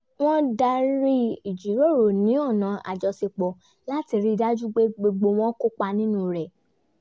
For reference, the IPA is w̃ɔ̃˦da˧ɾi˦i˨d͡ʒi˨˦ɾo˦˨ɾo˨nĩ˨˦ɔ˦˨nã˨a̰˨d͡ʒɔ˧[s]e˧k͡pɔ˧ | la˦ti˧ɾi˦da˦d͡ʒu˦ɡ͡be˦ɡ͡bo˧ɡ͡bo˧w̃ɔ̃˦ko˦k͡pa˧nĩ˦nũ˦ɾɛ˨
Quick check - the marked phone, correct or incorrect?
correct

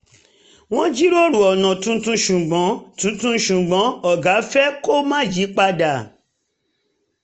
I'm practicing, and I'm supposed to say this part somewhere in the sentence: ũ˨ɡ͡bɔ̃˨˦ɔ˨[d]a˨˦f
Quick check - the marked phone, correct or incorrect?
incorrect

